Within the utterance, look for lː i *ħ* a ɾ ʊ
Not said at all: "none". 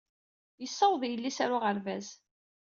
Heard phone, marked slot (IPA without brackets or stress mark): s